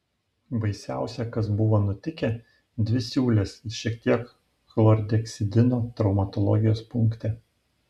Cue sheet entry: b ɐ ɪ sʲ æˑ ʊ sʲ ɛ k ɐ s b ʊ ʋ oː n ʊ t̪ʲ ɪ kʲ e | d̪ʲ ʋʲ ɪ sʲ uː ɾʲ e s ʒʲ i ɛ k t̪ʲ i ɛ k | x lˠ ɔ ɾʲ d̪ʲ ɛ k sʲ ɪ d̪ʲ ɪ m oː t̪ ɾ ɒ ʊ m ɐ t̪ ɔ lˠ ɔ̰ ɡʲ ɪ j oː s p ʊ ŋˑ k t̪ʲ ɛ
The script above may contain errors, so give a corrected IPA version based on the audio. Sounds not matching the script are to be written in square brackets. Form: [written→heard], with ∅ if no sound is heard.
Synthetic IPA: b ɐ ɪ sʲ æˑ ʊ sʲ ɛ k ɐ s b ʊ ʋ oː n ʊ t̪ʲ ɪ kʲ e | d̪ʲ ʋʲ ɪ sʲ uː [ɾʲ→lʲ] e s [ʒʲ→ʃʲ] i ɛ k t̪ʲ i ɛ k | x lˠ ɔ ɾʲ d̪ʲ ɛ k sʲ ɪ d̪ʲ ɪ [m→n] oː t̪ ɾ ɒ ʊ m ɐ t̪ ɔ lˠ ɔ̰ ɡʲ ɪ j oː s p ʊ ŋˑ k t̪ʲ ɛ